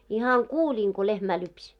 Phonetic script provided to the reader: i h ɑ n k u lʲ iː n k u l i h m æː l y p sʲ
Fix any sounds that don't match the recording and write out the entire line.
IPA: i h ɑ ŋ k uː lʲ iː ŋ k o l e h m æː l y p sʲ